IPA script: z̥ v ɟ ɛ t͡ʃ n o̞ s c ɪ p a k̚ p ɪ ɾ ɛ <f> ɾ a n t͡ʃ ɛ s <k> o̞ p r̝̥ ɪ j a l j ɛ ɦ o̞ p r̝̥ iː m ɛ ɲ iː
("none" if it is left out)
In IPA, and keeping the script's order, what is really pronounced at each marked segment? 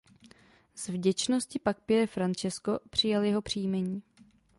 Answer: f, k

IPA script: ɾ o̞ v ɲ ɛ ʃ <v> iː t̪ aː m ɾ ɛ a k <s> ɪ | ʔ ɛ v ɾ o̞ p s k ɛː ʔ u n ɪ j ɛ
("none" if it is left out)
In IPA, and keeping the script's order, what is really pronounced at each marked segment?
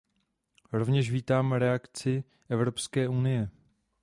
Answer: v, t͡s

